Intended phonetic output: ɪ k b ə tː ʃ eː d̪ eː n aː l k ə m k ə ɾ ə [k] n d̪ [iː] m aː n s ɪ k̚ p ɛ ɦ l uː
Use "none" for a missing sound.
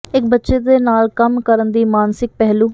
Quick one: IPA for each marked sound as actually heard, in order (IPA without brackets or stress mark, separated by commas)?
none, iː